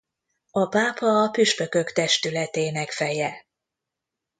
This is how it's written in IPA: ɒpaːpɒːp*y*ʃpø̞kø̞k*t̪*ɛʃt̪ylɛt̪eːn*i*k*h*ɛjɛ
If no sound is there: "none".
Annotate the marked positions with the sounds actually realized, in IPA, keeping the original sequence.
y, t̪, ɛ, f

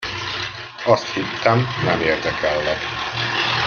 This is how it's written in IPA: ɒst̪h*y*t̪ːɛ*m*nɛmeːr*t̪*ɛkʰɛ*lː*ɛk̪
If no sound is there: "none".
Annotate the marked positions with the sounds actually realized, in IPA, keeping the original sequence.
i, m, d̪, lː

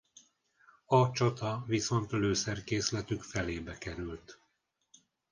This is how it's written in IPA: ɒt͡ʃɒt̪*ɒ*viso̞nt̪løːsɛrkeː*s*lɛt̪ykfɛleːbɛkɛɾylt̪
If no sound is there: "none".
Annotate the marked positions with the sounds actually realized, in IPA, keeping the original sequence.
ɒ, s

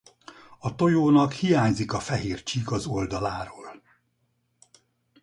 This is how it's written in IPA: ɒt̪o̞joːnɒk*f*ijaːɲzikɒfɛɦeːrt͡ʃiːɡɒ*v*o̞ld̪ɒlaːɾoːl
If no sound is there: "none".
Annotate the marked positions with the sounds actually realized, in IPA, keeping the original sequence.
h, z

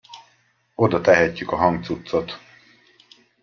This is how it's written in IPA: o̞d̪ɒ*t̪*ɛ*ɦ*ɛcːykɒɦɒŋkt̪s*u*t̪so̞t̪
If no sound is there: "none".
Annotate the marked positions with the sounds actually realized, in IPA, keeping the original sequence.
t̪, ɦ, u

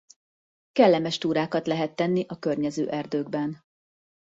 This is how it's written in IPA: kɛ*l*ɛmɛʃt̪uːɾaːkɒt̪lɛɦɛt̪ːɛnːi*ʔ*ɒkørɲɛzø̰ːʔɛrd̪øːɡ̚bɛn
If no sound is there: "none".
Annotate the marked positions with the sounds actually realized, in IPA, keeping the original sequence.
lː, ʔ

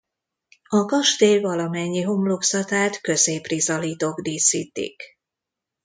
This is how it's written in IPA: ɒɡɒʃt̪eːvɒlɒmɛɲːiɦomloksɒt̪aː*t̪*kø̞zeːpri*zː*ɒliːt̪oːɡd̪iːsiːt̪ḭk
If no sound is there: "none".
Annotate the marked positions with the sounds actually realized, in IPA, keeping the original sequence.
t̪, z

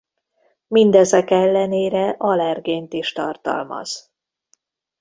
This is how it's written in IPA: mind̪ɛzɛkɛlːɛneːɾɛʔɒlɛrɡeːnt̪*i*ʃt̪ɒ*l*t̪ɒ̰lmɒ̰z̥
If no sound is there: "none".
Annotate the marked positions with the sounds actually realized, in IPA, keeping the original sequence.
i, r

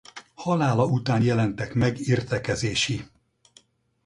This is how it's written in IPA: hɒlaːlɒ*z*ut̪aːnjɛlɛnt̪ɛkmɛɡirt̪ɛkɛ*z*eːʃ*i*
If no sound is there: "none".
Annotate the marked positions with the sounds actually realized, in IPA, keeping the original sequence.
none, z, i

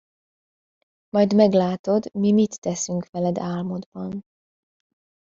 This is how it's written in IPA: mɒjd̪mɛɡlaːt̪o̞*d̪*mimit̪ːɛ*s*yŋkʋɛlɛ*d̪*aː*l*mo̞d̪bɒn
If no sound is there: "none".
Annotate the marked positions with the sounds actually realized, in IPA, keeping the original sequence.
d̪, s, d̪, l

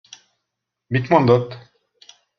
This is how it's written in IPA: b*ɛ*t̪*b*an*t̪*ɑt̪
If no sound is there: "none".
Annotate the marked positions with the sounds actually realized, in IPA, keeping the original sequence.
i, m, d̪

